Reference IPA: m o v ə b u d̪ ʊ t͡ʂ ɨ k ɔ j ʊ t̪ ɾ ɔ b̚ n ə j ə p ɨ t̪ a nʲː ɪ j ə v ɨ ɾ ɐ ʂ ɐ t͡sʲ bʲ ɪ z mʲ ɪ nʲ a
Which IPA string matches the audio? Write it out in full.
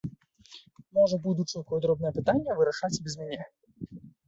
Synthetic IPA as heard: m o ʐ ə b u d̪ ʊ t͡ʂ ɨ k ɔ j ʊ d̪ ɾ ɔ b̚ n ə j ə p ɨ t̪ a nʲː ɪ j ə v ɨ ɾ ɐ ʂ a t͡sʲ bʲ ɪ z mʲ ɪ nʲ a